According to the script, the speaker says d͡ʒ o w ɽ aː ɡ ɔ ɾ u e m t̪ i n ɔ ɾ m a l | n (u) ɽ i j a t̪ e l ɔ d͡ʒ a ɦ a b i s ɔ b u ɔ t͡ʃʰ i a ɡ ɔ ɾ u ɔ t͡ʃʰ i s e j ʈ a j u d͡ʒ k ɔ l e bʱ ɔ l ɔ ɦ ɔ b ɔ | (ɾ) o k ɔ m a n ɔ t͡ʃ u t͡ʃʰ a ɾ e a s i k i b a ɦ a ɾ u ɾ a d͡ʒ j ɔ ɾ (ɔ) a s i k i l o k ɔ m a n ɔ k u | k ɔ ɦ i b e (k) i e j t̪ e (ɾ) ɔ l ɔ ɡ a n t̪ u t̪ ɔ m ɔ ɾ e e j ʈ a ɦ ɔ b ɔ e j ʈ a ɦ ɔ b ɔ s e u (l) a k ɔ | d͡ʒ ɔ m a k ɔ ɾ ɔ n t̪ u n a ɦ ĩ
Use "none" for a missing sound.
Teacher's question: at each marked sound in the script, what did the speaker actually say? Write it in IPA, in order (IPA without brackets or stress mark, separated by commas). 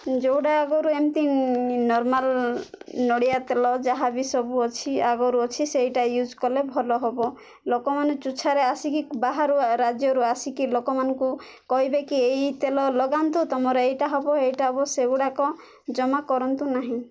ɔ, l, u, k, l, ɽ